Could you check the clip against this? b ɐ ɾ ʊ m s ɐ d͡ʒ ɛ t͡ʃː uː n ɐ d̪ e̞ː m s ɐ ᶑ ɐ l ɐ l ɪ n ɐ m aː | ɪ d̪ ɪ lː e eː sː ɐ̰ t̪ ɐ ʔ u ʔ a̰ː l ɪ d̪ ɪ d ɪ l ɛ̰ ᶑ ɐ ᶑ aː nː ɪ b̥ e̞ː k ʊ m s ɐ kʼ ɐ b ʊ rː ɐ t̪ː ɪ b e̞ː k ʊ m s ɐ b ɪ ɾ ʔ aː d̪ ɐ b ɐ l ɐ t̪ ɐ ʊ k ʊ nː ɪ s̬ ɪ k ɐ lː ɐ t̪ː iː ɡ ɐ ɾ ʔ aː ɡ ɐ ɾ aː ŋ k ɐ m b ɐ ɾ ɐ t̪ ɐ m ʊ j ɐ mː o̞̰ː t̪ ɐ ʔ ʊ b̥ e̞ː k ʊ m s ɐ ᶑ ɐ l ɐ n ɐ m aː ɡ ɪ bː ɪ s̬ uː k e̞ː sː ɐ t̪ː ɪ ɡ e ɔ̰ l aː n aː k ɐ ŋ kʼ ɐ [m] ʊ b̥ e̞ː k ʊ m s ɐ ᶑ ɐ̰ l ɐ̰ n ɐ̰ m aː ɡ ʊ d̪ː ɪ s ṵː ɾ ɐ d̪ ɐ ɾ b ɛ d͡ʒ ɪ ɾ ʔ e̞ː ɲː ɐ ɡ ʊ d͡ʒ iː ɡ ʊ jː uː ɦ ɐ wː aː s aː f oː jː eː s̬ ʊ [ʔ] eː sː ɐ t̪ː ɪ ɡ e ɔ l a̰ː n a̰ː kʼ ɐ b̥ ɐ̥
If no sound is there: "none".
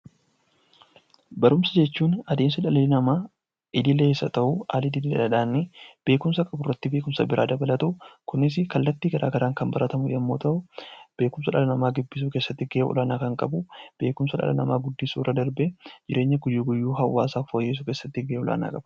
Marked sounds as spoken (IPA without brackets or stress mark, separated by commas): b, k